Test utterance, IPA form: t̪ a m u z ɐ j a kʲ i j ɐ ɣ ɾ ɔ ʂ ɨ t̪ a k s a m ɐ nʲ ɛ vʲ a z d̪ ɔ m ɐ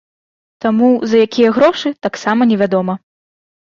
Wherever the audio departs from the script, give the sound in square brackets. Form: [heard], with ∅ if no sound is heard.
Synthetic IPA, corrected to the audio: t̪ a m u z ɐ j a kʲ i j ɐ ɣ ɾ ɔ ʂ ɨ t̪ a k s a m ɐ nʲ ɛ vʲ a [∅] d̪ ɔ m ɐ